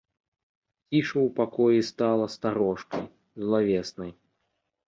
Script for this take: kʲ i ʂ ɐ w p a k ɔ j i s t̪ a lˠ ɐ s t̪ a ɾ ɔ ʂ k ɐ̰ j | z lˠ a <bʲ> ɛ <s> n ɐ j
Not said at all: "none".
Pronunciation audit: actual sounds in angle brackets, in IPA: vʲ, s

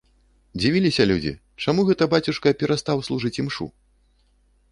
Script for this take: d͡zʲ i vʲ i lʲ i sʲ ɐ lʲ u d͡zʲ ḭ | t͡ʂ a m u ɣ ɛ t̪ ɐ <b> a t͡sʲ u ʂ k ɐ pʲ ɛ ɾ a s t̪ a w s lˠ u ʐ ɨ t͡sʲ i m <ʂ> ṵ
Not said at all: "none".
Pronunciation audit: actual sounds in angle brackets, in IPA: b, ʂ

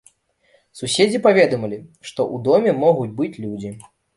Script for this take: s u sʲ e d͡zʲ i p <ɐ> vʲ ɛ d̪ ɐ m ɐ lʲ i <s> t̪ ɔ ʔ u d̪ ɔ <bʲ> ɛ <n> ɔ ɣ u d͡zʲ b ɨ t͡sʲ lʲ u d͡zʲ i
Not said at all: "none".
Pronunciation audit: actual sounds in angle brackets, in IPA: a, ʂ, mʲ, m

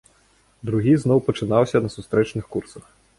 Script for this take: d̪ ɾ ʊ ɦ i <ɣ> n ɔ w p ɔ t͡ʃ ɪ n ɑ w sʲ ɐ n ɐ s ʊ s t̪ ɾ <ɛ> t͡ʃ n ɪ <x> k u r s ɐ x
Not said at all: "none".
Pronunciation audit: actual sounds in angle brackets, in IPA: z, ɛ, x

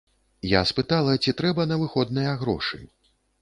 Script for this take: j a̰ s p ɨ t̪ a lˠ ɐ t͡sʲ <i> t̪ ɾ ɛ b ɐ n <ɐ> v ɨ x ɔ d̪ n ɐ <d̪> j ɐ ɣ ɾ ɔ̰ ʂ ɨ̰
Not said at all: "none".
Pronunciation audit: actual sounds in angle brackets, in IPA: i, ɐ, none

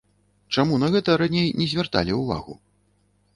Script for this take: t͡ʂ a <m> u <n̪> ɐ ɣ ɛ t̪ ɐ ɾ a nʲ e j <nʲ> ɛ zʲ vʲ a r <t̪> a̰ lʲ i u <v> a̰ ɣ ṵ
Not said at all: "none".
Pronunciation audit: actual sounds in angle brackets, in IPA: m, n̪, nʲ, t̪, v

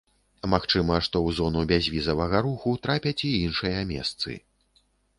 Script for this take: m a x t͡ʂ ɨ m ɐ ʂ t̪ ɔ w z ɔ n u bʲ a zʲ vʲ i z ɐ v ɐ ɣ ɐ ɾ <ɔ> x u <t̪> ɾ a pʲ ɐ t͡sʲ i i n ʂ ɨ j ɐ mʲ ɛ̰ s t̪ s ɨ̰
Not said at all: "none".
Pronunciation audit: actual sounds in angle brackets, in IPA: u, t̪

